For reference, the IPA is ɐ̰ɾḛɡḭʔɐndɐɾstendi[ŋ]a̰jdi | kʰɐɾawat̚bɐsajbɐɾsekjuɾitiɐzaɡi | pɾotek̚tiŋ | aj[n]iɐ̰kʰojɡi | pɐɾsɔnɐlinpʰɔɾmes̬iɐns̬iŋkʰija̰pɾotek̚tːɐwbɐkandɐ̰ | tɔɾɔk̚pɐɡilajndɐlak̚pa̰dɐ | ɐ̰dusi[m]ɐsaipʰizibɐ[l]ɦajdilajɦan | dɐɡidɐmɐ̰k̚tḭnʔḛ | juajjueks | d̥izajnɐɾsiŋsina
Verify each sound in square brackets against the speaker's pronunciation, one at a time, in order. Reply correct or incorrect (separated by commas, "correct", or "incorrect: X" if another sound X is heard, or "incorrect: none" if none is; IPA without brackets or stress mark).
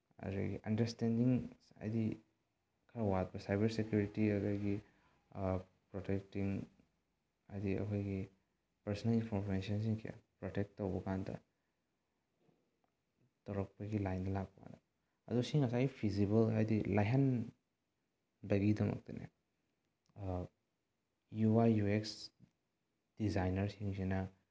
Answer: correct, incorrect: d, incorrect: ŋ, correct